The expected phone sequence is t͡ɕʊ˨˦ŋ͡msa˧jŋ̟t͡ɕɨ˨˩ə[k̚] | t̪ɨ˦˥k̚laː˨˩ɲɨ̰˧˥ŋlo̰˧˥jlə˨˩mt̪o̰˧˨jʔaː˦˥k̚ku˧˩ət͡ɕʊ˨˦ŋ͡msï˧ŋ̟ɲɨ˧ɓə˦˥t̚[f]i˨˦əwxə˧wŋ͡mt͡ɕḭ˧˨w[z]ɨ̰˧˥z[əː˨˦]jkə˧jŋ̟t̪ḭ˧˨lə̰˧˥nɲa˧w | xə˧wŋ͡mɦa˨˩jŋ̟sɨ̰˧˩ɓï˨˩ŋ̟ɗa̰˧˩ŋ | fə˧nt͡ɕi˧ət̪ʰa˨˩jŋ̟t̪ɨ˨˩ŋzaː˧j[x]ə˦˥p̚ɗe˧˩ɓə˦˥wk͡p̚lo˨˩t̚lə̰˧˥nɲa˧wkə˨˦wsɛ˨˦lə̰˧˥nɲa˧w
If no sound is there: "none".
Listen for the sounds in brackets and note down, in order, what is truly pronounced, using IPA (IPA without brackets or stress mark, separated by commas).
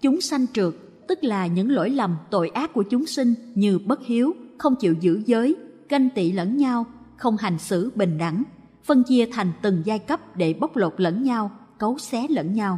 k̚, h, z, əː˨˦, k